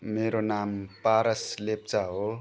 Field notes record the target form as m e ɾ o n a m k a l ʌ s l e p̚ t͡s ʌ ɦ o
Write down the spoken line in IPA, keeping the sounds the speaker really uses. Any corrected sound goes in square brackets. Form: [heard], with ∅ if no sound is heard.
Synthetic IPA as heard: m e ɾ o n a m [p] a [ɾ] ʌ s l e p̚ t͡s [a] ɦ o